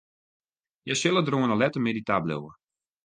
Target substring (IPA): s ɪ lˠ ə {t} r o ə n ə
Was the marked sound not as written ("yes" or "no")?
yes